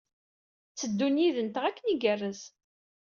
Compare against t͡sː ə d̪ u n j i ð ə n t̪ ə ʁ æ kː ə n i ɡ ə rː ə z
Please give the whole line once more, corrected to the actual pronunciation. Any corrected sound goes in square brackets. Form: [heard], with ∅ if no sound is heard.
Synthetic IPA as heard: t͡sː ə [d̪ː] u n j i ð ə n t̪ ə ʁ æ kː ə n i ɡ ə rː ə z